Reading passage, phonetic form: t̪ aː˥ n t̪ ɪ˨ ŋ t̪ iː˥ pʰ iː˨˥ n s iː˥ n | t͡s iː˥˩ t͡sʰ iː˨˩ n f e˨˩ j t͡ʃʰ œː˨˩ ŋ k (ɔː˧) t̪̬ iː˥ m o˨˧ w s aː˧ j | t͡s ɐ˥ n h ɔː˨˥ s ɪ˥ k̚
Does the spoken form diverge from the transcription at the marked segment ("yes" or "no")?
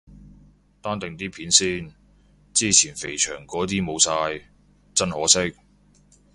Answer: yes